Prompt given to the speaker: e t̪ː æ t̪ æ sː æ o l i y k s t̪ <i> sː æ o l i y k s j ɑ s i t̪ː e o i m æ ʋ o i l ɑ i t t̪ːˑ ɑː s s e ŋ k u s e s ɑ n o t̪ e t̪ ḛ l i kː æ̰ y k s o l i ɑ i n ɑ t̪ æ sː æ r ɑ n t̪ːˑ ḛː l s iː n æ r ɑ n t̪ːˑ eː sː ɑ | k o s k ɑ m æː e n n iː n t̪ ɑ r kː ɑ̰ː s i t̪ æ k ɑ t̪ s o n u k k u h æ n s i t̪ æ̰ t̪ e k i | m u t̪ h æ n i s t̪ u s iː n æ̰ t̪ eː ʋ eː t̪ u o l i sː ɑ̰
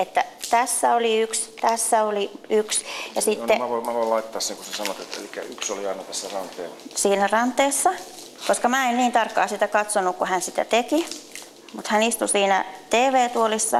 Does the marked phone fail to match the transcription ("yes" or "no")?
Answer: yes